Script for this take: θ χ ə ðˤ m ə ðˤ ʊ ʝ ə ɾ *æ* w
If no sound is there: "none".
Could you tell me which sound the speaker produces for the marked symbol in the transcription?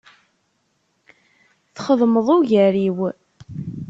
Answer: i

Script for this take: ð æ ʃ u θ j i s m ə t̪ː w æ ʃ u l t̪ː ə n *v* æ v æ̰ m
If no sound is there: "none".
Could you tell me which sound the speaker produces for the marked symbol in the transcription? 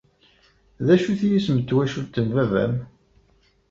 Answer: v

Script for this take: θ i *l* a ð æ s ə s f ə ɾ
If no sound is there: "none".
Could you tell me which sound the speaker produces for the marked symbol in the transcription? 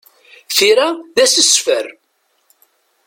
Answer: ɾ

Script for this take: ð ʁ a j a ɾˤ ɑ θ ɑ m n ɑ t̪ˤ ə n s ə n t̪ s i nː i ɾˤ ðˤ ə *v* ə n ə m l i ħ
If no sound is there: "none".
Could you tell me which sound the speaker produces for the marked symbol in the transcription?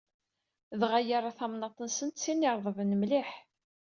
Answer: v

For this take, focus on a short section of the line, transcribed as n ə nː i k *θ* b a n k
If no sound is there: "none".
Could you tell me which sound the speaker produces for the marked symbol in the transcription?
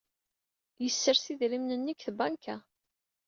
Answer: θ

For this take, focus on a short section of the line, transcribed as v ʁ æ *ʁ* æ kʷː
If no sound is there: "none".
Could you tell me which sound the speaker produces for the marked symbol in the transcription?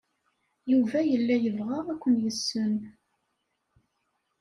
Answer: ʁ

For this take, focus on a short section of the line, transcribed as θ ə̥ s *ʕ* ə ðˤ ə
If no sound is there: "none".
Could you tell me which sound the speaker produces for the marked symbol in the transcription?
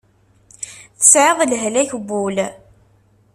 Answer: ʕ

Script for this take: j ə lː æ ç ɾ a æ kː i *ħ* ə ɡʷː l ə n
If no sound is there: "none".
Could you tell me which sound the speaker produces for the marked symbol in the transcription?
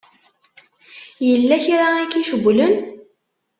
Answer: ʃ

